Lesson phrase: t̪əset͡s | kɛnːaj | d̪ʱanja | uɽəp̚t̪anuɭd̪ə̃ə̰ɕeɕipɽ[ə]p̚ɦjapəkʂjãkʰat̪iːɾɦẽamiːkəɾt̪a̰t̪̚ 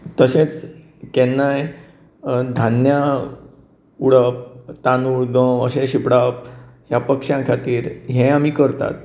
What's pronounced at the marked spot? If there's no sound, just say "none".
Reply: a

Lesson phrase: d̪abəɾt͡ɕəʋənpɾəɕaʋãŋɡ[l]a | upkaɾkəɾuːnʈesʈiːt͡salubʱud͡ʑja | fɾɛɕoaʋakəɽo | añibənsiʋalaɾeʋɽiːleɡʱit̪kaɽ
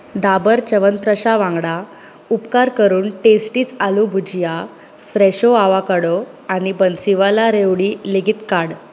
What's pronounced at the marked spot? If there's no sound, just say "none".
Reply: ɽ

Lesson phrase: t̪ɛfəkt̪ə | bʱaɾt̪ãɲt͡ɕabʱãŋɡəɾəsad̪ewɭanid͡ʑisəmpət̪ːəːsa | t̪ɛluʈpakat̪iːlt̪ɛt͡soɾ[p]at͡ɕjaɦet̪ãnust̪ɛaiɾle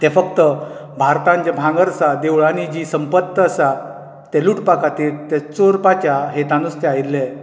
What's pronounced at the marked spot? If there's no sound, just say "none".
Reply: p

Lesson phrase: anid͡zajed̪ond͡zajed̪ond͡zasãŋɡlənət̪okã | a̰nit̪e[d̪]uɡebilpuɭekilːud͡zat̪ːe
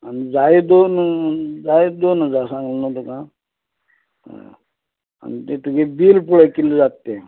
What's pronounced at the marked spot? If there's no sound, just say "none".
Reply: t̪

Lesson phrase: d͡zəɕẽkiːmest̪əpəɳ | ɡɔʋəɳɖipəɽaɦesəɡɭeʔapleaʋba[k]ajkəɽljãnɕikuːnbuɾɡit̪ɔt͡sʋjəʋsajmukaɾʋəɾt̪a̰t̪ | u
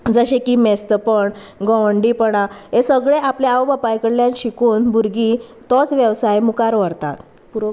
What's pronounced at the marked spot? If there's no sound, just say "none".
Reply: p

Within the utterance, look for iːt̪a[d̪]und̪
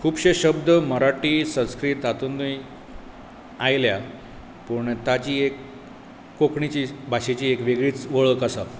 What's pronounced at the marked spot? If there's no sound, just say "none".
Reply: t̪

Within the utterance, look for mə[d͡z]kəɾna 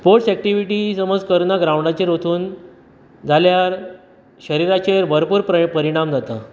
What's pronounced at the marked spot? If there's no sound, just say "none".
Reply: d͡z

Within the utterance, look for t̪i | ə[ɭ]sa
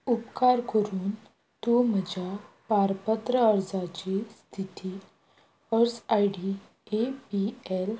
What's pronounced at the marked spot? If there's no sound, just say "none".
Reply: ɾ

